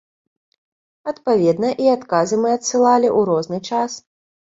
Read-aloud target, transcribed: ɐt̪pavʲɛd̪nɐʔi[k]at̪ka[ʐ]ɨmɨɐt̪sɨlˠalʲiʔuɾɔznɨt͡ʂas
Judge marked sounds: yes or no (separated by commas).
no, no